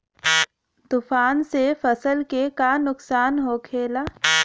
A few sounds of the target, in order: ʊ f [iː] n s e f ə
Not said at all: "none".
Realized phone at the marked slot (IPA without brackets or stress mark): aː